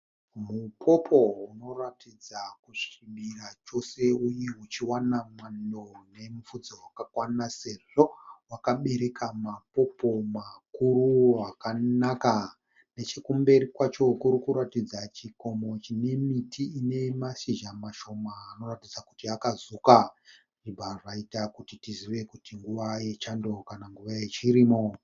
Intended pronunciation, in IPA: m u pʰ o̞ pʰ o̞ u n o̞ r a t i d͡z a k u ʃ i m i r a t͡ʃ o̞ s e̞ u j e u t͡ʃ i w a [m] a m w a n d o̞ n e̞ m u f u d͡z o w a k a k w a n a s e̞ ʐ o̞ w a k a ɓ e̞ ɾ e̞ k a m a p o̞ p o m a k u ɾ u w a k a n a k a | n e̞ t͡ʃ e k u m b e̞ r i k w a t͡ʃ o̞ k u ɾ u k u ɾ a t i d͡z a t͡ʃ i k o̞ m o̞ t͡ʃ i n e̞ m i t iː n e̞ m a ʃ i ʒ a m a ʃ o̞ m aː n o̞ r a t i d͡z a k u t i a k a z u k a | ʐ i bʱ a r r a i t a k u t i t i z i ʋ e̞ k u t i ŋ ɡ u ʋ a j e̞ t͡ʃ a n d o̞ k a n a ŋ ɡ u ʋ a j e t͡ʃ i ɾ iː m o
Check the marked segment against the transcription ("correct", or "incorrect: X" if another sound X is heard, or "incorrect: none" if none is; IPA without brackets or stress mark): incorrect: n